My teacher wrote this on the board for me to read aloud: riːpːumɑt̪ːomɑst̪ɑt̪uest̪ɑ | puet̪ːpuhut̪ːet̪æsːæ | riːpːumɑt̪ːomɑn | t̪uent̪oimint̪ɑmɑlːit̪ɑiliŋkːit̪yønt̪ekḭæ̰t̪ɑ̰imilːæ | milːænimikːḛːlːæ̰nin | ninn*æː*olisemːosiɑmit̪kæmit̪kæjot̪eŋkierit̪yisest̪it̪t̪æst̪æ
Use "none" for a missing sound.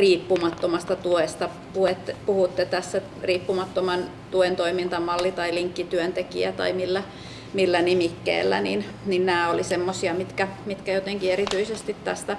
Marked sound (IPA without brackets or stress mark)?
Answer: æː